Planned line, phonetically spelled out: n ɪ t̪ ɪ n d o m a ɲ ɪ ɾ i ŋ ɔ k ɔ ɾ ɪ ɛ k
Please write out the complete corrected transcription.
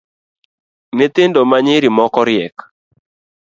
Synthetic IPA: n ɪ t̪ ɪ n d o m a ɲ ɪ ɾ i m ɔ k ɔ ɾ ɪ ɛ k